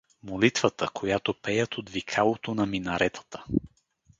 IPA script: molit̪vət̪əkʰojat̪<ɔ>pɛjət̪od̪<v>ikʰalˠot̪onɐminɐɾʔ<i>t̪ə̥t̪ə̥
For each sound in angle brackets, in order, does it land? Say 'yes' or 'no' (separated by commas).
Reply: no, yes, no